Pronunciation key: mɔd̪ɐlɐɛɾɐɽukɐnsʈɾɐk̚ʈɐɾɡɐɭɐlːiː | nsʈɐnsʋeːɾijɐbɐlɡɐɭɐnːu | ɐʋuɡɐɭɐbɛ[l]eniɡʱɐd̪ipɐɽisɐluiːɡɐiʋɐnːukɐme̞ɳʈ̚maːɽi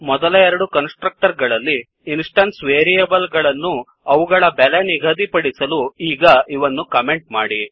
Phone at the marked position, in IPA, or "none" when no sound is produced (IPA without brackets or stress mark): l